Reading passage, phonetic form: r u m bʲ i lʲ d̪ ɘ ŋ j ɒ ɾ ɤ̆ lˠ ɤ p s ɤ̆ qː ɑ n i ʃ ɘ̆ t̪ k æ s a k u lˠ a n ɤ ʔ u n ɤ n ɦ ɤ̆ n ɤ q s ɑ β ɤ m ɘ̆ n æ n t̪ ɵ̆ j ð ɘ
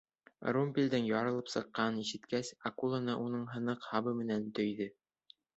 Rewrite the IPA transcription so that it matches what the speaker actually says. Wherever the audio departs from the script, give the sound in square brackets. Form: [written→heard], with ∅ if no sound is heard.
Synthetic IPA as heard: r u m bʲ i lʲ d̪ ɘ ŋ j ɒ ɾ ɤ̆ lˠ ɤ p s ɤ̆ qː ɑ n i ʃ ɘ̆ t̪ k æ s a k u lˠ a n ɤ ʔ u n ɤ [n→ɴ] ɦ ɤ̆ n ɤ q [s→h] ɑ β ɤ m ɘ̆ n æ n t̪ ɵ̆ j ð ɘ